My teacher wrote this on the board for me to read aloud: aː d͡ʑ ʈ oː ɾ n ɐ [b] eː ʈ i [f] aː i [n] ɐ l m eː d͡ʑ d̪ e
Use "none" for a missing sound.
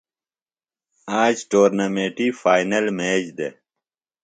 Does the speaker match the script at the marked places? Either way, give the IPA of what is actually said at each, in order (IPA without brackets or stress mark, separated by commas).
m, f, n